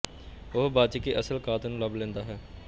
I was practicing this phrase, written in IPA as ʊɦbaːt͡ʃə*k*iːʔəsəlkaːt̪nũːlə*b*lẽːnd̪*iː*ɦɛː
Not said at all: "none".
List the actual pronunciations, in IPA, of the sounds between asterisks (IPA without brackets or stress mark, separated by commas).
k, b, aː